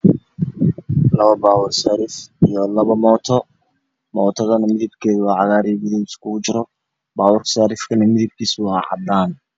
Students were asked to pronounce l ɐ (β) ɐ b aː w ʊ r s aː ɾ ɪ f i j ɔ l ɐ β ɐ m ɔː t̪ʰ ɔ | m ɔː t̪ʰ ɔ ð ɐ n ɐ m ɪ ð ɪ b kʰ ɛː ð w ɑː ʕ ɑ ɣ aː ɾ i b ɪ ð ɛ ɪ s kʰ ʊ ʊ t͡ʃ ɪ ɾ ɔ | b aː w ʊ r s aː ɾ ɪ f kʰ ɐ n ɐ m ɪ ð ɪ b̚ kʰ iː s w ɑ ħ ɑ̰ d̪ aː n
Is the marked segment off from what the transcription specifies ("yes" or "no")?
no